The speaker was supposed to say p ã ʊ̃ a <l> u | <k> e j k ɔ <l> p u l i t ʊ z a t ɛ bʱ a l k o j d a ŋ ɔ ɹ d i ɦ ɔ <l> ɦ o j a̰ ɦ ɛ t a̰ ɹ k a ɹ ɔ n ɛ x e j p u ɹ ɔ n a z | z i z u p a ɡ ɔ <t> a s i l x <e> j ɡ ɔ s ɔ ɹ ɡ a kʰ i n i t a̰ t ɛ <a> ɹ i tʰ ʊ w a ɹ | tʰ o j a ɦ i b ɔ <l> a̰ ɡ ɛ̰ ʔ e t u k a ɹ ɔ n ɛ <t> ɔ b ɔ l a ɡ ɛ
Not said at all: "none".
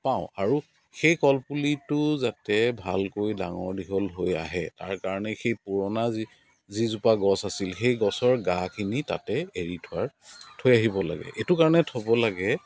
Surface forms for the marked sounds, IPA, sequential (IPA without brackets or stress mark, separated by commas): ɹ, x, l, l, s, e, e, l, tʰ